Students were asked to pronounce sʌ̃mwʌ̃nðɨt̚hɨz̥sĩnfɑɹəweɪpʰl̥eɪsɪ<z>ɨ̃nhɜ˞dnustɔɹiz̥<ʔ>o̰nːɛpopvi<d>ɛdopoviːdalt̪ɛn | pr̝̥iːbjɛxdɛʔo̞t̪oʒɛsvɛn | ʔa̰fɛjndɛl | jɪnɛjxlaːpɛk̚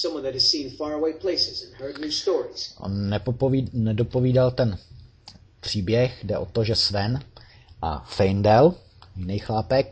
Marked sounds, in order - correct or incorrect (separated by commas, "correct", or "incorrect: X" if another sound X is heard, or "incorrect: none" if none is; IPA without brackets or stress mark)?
correct, correct, incorrect: n